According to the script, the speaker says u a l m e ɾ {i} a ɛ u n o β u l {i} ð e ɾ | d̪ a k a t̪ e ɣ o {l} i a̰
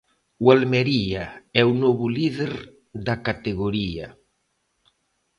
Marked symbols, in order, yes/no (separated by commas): yes, yes, no